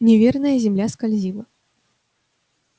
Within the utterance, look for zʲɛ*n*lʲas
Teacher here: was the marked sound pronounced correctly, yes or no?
no